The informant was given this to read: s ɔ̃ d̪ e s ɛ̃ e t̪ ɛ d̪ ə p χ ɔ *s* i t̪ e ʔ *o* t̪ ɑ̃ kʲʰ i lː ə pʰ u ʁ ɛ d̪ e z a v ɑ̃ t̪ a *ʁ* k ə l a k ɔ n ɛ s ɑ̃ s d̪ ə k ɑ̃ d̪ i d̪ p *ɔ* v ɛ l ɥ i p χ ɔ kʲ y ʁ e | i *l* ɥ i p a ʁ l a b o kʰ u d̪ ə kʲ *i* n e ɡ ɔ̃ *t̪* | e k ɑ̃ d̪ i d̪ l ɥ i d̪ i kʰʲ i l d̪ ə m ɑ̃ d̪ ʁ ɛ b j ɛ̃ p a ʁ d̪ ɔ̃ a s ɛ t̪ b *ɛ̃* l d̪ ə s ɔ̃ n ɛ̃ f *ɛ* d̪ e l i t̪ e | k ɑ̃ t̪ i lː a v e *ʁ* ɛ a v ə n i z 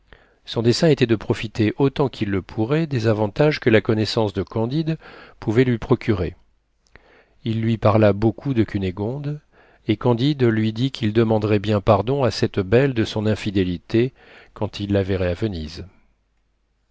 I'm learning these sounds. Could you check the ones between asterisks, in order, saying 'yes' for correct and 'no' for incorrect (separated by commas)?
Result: no, yes, no, no, no, no, no, no, no, yes